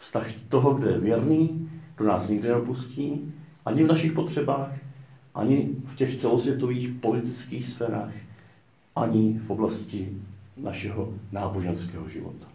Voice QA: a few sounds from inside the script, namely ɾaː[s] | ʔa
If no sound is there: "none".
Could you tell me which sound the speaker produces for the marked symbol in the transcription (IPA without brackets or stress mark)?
x